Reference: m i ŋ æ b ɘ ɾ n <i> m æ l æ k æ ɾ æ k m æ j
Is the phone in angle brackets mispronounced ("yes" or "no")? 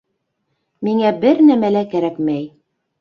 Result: yes